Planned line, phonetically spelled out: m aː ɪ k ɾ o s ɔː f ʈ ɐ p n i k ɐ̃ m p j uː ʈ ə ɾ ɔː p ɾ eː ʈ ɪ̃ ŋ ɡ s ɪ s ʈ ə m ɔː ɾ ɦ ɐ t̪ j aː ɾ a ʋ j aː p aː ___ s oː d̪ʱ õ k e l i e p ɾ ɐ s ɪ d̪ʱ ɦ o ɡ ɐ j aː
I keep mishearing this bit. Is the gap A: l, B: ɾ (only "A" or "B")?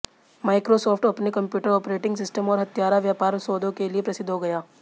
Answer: B